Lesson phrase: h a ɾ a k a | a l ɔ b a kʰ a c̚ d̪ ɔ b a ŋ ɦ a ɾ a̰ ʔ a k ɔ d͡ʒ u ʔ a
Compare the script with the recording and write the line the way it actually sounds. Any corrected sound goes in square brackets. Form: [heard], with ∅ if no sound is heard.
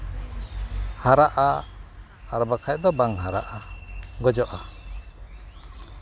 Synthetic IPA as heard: h a ɾ a [ʔ] a | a [ɾ] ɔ b a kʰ a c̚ d̪ ɔ b a ŋ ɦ a ɾ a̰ ʔ a [ɡ] ɔ d͡ʒ [ɔ] ʔ a